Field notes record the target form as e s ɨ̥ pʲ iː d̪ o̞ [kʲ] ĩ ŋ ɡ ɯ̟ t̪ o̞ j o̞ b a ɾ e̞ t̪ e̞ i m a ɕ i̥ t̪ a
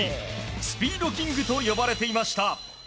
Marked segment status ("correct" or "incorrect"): correct